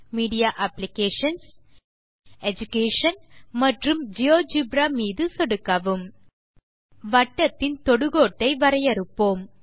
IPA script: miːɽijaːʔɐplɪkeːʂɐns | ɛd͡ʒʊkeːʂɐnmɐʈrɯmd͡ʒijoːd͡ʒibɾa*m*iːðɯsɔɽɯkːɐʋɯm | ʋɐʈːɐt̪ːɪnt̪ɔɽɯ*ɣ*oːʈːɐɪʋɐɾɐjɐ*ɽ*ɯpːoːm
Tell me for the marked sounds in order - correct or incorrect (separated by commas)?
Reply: correct, correct, incorrect